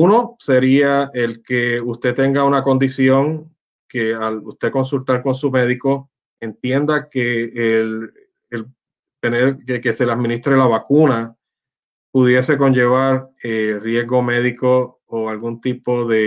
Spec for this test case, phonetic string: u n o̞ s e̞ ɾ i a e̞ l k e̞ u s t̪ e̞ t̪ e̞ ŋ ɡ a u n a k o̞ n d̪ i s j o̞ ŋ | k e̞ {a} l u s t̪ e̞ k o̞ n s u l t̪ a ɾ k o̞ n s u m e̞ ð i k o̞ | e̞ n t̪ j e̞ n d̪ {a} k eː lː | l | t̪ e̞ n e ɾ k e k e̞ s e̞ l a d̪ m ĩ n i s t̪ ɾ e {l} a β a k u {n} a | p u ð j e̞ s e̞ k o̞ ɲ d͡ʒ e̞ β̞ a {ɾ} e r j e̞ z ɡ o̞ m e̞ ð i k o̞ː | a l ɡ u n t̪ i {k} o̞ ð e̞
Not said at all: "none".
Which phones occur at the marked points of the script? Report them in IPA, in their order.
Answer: a, a, l, n, ɾ, p

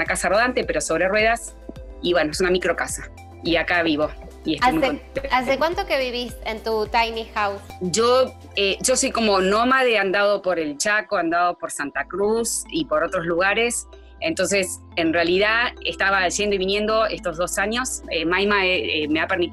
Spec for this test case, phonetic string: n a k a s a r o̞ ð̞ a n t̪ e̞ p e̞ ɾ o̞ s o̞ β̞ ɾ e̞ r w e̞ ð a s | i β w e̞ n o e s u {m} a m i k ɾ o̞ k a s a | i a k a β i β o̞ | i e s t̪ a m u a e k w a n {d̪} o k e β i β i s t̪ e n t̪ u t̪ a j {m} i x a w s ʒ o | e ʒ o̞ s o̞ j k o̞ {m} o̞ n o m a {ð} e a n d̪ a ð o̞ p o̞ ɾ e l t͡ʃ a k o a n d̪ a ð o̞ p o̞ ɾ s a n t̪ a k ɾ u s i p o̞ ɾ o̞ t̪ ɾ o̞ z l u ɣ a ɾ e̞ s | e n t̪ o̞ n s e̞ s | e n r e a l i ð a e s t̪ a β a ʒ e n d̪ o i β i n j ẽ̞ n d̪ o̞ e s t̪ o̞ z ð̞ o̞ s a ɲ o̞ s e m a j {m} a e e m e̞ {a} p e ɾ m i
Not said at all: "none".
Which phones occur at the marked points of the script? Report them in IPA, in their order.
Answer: n, t̪, n, m, ð, m, a

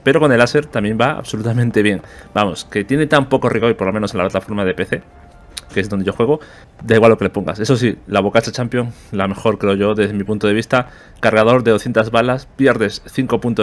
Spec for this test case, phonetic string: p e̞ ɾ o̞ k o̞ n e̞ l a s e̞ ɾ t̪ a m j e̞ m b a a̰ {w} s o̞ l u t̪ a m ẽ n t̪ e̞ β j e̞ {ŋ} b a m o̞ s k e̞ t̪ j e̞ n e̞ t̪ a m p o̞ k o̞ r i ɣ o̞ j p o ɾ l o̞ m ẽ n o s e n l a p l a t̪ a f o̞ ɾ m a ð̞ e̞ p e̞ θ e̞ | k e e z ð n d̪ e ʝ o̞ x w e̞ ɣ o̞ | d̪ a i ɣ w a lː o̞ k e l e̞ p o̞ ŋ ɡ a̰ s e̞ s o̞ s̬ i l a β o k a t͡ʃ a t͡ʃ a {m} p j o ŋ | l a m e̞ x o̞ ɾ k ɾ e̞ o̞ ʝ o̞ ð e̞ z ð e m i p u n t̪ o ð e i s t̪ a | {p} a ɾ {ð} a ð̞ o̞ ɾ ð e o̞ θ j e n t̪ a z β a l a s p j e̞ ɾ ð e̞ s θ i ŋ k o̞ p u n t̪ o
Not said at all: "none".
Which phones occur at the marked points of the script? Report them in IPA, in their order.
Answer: β, ŋ, m, k, ɣ

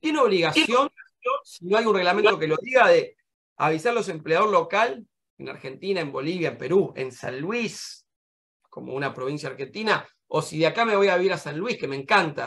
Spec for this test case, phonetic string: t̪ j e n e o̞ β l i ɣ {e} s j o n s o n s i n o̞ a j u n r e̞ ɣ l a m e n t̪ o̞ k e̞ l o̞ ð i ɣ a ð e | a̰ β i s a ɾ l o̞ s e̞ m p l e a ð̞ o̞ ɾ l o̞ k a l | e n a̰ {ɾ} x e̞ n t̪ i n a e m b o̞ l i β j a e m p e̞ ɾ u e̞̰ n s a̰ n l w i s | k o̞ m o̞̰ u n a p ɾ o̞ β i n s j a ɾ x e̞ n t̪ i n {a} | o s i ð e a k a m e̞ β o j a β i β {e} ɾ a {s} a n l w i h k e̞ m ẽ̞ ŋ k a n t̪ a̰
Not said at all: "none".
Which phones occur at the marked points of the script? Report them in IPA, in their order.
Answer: a, ɾ, a, i, s

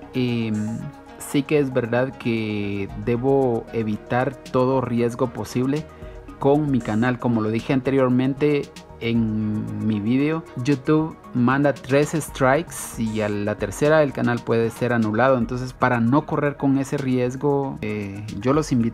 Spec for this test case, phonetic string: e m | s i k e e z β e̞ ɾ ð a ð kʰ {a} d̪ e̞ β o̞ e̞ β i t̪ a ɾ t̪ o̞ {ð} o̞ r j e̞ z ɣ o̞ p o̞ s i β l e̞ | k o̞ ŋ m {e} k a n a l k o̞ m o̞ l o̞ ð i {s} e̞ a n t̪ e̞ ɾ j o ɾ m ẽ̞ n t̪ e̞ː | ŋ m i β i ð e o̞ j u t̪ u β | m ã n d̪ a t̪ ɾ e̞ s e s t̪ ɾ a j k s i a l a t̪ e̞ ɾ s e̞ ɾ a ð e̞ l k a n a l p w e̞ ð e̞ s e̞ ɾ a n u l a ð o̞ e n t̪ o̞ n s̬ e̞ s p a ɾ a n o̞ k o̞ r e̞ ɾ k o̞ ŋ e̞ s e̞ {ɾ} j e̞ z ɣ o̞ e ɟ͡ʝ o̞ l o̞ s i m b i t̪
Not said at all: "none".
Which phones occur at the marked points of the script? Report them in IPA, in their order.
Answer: e, ð, i, x, r

